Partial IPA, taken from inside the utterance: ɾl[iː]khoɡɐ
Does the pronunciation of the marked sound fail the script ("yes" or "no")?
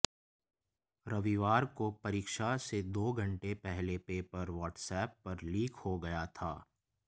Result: no